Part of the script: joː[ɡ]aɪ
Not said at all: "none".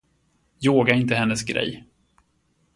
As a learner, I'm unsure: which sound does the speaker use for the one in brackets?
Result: ɡ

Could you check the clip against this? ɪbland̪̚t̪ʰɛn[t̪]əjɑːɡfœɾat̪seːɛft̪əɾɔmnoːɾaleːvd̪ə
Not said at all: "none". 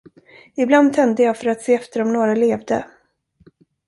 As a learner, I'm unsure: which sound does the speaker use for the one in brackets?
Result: d̪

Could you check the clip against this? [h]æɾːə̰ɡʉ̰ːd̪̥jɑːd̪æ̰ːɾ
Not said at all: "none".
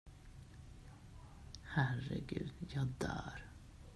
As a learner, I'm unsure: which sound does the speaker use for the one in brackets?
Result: h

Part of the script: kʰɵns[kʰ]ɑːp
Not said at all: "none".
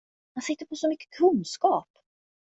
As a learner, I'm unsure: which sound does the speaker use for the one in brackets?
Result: k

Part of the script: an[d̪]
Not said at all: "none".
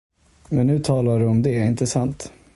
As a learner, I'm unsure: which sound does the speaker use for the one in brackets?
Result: t̪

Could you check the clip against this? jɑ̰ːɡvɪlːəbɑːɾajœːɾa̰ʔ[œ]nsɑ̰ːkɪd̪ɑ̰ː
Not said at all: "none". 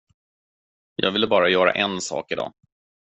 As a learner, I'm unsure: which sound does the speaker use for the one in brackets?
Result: ɛ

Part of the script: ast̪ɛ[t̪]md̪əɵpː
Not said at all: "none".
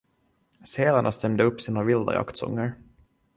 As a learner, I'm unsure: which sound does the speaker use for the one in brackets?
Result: none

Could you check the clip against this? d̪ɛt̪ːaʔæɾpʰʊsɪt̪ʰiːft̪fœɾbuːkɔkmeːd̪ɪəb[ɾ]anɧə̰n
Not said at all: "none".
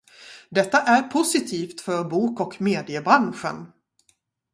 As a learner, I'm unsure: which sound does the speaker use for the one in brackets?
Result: ɾ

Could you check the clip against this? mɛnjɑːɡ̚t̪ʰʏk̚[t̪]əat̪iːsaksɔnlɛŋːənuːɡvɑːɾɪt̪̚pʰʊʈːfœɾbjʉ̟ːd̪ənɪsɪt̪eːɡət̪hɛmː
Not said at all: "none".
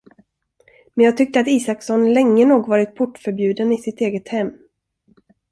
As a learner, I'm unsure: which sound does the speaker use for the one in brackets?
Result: t̪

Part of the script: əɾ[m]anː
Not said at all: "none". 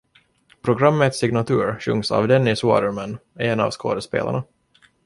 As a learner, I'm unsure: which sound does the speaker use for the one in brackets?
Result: m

